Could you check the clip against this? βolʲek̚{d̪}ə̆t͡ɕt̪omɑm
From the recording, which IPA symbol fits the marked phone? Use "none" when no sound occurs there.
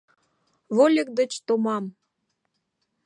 d̪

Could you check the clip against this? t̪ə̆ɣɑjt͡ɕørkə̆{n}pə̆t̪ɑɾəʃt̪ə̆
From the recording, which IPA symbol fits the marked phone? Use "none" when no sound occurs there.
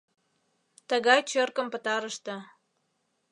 m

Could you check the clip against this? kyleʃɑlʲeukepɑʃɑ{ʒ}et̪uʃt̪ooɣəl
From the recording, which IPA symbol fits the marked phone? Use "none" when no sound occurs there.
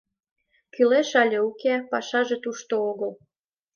ʒ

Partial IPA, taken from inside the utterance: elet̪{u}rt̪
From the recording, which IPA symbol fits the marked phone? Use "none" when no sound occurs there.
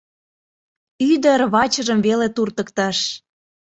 u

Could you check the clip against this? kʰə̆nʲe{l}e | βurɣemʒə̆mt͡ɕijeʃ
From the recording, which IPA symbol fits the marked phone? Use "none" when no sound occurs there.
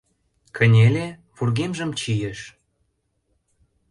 l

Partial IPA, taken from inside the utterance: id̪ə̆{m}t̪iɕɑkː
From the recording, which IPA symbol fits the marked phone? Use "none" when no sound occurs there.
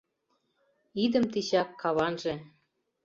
m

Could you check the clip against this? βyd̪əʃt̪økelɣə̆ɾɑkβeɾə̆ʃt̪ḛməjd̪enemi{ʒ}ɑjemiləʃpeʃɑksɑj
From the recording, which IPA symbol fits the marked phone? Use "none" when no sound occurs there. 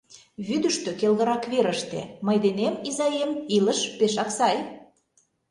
z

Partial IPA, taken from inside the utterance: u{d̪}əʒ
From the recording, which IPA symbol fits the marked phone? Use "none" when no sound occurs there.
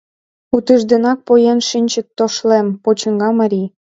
t̪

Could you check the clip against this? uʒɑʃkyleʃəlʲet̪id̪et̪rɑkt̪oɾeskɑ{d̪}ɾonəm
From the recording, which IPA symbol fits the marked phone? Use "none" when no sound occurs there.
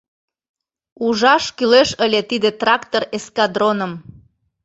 d̪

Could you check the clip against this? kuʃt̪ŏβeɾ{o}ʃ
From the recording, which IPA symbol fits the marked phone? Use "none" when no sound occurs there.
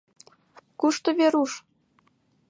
u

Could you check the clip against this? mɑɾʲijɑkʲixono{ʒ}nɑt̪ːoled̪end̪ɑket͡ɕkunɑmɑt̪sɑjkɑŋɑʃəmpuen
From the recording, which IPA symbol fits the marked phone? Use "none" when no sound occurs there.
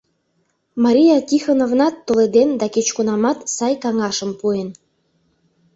v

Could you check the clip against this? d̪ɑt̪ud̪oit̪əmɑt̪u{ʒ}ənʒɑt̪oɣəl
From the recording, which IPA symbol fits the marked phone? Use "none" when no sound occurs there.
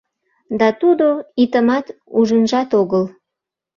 ʒ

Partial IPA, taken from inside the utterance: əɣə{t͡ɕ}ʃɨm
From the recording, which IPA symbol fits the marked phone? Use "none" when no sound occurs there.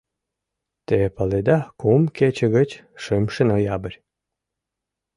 t͡ɕ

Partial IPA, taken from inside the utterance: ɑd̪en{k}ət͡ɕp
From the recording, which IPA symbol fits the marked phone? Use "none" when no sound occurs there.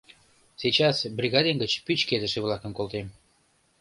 ɡ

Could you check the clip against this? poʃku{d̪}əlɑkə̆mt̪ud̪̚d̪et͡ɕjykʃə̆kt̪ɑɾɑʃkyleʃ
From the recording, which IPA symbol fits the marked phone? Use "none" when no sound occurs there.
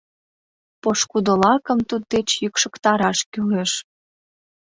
d̪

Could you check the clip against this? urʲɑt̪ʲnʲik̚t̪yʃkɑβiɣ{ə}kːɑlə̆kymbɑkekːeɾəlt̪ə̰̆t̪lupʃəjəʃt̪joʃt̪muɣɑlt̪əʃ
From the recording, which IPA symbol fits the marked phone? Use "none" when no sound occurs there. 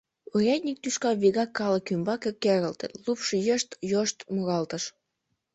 ɑ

